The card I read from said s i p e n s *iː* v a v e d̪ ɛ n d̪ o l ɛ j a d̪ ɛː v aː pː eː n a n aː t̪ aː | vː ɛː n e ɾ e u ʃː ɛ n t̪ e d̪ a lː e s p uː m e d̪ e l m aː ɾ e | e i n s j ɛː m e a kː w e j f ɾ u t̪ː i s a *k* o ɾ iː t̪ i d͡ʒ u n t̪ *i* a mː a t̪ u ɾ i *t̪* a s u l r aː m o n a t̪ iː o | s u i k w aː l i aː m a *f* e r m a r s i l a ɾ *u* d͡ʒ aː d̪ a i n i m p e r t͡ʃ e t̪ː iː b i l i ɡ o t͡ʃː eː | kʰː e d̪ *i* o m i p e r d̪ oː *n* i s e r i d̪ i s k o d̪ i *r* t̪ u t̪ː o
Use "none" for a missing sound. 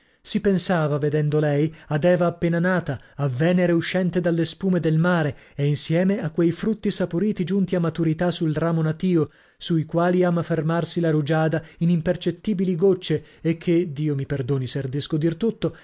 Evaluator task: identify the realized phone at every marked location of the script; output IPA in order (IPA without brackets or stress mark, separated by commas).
aː, p, i, t̪, f, u, iː, n, r